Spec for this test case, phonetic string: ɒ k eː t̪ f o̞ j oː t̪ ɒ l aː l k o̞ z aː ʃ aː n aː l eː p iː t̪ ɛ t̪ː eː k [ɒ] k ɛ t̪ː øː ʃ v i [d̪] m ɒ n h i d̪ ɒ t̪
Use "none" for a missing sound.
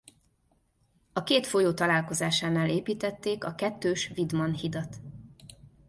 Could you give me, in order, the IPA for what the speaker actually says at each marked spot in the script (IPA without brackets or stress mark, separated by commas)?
ɒ, d̪